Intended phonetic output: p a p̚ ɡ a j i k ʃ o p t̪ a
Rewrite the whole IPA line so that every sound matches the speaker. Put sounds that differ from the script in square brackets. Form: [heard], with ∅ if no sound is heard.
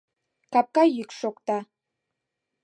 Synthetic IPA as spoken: [k] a p̚ [k] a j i k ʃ o [k] t̪ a